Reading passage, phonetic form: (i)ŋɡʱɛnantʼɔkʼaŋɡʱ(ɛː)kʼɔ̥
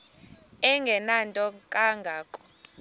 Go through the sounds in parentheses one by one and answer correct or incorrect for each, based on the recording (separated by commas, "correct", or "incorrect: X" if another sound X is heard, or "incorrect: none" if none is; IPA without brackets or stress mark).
incorrect: ɛ, incorrect: aː